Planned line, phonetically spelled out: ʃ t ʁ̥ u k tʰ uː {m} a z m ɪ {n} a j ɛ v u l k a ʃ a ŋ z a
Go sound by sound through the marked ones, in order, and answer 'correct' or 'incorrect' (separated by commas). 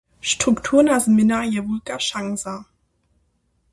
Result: incorrect, correct